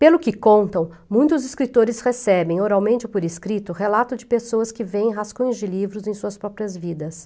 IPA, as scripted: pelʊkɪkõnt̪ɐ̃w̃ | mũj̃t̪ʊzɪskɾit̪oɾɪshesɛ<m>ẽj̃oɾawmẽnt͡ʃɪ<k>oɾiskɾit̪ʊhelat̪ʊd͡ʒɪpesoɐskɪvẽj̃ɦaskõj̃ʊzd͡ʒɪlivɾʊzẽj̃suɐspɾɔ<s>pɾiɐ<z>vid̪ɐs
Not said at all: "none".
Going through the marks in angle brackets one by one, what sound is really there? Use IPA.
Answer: b, p, none, z

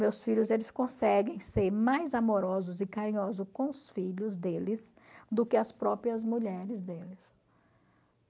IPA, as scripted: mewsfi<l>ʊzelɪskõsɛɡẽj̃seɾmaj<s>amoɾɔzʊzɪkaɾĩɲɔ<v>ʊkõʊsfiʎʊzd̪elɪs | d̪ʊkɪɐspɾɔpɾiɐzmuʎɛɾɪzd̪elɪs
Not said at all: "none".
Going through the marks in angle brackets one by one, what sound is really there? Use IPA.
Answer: ʎ, z, z

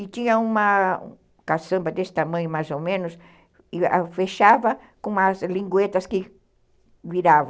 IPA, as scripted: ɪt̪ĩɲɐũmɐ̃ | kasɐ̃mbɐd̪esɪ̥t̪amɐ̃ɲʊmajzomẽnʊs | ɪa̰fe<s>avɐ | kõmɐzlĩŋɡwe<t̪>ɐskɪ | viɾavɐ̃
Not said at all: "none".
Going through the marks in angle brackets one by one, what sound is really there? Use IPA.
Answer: ʃ, t̪

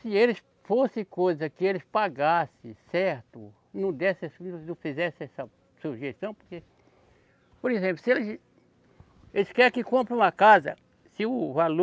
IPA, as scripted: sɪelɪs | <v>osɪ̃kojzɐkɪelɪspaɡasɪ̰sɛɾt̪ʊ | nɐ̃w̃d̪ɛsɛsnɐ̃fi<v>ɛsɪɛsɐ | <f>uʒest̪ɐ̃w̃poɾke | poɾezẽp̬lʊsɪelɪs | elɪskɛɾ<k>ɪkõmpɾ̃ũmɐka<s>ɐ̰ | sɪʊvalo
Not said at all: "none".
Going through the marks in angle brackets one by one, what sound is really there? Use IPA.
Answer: f, z, s, k, z

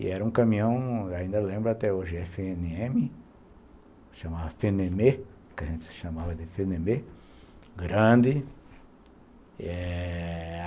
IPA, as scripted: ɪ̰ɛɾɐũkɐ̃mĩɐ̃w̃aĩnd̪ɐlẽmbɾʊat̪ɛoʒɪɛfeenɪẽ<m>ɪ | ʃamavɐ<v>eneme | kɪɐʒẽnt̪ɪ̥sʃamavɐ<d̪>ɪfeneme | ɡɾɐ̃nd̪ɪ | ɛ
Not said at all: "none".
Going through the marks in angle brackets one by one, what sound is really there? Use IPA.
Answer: m, f, d̪

